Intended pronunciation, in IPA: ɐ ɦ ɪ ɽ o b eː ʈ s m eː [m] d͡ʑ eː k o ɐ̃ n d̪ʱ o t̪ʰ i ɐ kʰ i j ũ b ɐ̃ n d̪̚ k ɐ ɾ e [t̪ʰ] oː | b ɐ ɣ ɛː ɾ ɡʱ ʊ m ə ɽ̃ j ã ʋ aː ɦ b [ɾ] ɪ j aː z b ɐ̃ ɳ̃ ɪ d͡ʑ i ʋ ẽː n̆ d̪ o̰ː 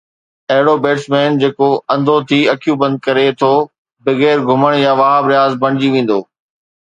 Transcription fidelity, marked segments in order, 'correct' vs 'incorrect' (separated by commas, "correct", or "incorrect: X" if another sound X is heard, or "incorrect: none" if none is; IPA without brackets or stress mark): incorrect: n, correct, correct